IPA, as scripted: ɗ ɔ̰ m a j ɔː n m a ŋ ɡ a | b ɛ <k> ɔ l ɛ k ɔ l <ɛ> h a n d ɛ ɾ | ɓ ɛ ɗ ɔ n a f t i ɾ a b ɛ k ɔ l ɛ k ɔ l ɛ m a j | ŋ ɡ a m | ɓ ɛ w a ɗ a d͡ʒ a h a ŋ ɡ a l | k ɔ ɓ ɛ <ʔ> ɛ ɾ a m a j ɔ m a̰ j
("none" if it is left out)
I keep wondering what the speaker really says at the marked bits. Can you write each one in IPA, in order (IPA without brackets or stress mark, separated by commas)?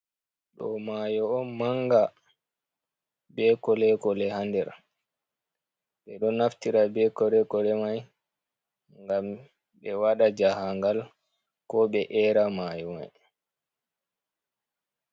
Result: k, ɛ, ʔ